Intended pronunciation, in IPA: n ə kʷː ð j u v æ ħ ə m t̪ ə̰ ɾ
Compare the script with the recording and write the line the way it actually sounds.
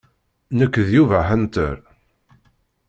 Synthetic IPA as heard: n ə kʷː ð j u v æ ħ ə n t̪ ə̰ ɾ